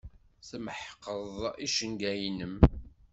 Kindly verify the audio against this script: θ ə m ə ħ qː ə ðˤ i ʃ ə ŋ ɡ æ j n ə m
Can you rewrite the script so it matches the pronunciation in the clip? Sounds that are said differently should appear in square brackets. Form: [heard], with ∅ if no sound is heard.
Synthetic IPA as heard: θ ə m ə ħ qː ə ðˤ i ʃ ə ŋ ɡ æ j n ə m